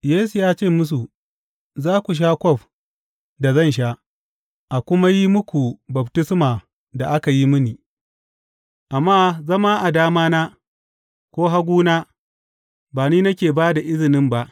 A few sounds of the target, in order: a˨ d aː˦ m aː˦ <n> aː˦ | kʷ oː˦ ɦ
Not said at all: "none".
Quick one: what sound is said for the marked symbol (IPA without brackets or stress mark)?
n